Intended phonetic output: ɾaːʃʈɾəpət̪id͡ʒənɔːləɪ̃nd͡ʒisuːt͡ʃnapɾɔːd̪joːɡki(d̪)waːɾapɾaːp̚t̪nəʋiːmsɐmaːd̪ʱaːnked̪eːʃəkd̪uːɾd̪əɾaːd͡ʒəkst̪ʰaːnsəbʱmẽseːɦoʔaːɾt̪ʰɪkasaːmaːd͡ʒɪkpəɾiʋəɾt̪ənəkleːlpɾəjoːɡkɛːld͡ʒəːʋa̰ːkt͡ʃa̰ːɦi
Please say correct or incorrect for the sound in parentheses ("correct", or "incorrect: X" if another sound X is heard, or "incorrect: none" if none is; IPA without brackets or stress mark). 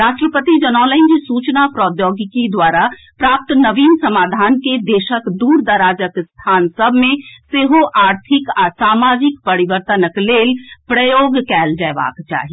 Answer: correct